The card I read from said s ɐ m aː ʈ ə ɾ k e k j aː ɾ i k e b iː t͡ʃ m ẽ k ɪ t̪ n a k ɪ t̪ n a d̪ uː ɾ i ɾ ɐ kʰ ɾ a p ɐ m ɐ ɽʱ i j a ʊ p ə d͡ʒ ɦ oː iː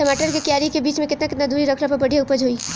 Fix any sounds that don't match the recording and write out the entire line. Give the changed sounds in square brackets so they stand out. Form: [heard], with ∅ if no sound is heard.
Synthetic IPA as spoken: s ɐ m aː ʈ ə ɾ k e k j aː ɾ i k e b iː t͡ʃ m ẽ k ɪ t̪ n a k ɪ t̪ n a d̪ uː ɾ i ɾ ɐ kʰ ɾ a p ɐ [b] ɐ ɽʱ i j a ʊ p ə d͡ʒ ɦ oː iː